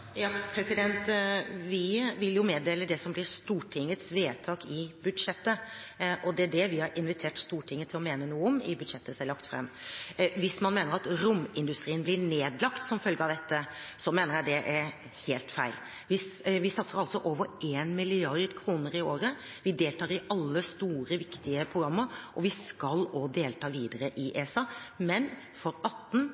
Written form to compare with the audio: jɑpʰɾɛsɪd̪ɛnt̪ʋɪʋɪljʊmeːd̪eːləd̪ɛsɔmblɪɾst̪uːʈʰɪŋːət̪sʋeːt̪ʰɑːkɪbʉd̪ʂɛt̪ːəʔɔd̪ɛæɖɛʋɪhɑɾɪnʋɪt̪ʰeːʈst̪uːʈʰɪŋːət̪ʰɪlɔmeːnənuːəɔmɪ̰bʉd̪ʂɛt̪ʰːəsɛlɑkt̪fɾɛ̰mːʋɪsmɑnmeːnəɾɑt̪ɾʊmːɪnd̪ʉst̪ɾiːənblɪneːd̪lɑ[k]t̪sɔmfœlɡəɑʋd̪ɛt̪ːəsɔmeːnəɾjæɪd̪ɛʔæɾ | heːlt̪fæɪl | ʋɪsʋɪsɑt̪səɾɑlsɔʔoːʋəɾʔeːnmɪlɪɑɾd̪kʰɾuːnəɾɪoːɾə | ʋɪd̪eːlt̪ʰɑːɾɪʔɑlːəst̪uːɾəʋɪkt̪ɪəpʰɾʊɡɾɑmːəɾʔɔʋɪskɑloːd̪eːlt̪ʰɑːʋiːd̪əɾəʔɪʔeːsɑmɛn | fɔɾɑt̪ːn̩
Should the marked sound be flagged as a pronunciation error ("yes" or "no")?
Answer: no